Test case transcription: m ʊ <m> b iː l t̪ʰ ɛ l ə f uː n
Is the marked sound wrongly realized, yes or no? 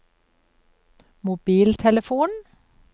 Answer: yes